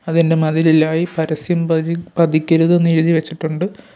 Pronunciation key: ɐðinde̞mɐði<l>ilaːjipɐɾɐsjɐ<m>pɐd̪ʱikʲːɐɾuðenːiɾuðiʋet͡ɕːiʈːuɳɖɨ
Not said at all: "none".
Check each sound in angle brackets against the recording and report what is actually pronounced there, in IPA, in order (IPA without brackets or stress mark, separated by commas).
l, m